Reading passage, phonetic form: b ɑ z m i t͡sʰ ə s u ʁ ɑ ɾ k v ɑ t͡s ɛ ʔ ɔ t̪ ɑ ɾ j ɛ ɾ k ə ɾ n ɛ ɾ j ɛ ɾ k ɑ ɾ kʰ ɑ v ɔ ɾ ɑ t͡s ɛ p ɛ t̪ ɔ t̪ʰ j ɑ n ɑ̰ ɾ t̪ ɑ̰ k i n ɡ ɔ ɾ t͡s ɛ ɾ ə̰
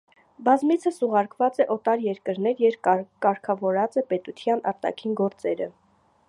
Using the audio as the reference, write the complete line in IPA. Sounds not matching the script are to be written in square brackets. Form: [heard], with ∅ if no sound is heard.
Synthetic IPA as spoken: b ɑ z m i t͡sʰ ə s u ʁ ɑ ɾ k v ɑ t͡s ɛ ʔ ɔ t̪ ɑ ɾ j ɛ ɾ k ə ɾ n ɛ ɾ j ɛ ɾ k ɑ ɾ kʰ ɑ v ɔ ɾ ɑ t͡s ɛ p ɛ t̪ [u] t̪ʰ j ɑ n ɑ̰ ɾ t̪ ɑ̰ [kʰ] i n ɡ ɔ ɾ t͡s ɛ ɾ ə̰